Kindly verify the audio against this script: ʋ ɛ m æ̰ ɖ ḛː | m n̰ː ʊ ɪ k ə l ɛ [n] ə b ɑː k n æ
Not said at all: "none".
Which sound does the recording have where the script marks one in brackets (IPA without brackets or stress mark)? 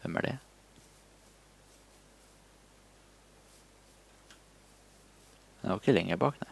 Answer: ŋ